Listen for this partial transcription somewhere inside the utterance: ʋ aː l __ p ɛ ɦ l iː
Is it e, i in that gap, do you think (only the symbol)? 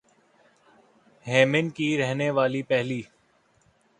i